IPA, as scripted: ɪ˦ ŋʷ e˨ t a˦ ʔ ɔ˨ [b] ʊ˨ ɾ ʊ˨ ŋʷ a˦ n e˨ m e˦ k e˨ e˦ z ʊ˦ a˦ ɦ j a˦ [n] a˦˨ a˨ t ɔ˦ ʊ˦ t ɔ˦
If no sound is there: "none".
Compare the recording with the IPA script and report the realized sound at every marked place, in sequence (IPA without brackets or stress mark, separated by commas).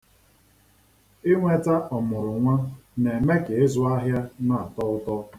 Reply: m, n